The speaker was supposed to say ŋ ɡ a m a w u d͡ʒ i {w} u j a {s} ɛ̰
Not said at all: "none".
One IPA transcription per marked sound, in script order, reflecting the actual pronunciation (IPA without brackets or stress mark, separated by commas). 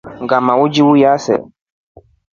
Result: w, s